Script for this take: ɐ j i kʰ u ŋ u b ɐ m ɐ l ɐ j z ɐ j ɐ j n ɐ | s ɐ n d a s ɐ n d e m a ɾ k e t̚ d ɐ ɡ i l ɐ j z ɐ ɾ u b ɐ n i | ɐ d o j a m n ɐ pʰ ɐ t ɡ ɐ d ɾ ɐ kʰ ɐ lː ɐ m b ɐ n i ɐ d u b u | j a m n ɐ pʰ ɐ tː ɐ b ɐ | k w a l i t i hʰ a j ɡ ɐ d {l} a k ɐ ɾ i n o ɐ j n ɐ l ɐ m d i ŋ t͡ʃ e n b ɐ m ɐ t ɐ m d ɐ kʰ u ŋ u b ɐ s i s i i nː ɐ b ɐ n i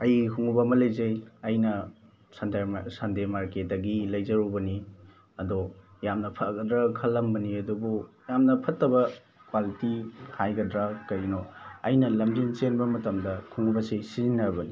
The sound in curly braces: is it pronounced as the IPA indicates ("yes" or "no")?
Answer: no